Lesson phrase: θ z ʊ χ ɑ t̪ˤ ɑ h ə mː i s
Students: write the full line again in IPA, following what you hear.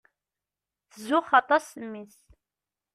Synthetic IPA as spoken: θ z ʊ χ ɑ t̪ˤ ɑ s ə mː i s